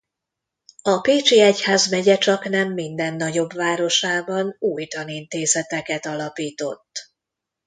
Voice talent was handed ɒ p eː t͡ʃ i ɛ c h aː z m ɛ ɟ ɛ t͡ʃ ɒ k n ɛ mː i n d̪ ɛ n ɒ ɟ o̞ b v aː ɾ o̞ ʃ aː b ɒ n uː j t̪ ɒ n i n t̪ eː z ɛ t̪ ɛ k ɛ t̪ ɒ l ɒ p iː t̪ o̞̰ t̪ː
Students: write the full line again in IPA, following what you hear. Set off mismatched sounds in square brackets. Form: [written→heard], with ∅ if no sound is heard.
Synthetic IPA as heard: ɒ p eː t͡ʃ i ɛ c h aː z m ɛ ɟ ɛ t͡ʃ ɒ k n ɛ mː i n d̪ ɛ [n→nː] ɒ ɟ o̞ b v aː ɾ o̞ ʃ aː b ɒ n uː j t̪ ɒ n i n t̪ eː z ɛ t̪ ɛ k ɛ t̪ ɒ l ɒ p iː t̪ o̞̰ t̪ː